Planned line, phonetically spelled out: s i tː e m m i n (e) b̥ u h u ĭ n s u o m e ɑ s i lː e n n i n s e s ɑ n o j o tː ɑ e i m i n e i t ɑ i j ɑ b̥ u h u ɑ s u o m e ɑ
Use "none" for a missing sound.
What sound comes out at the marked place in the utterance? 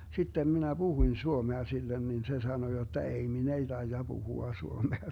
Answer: æ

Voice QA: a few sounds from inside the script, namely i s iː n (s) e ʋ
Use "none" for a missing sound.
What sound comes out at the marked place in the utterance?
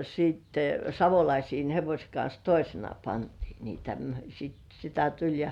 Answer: h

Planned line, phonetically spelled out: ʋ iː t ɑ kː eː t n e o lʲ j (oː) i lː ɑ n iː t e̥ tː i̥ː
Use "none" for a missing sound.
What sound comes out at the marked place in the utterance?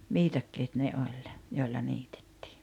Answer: o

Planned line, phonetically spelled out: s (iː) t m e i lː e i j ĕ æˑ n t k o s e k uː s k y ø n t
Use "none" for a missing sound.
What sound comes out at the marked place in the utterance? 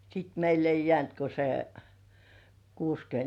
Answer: i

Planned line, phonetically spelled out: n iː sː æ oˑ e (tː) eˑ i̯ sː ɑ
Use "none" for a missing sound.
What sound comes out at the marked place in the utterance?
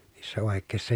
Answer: kː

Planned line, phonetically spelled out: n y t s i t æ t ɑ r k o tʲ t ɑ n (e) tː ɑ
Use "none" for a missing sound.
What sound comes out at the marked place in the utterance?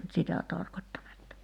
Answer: e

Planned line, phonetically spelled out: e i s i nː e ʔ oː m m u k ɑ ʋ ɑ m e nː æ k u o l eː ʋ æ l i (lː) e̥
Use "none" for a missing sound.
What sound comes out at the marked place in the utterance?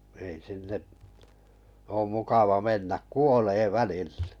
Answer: lː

